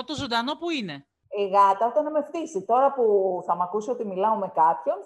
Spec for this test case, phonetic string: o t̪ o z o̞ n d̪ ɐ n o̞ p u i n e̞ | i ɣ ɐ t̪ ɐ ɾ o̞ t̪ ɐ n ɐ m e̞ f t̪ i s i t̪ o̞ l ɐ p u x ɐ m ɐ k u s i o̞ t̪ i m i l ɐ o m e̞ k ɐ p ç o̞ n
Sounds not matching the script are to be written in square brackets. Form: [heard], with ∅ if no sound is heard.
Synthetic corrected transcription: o t̪ o z o̞ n d̪ ɐ n o̞ p u i n e̞ | i ɣ ɐ t̪ ɐ [∅] o̞ t̪ ɐ n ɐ m e̞ f t̪ i s i t̪ o̞ [ɾ] ɐ p u [θ] ɐ m ɐ k u s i o̞ t̪ i m i l ɐ o m e̞ k ɐ p ç o̞ n